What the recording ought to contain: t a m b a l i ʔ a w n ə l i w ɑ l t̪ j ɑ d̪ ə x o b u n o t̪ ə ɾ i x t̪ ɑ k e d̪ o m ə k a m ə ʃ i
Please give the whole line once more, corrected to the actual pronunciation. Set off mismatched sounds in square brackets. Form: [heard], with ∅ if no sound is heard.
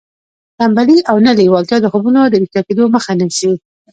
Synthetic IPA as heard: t a m b a l i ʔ a w n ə l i w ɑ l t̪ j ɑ d̪ ə x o b u n o [d̪] ə ɾ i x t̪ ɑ k e d̪ o m ə [x] a [n] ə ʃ i